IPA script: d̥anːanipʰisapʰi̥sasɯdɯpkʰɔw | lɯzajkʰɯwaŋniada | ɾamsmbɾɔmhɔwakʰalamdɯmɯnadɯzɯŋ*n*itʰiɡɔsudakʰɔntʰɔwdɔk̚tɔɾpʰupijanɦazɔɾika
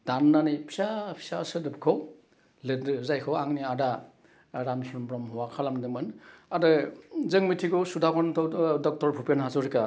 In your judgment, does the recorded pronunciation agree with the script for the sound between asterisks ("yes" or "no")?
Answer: no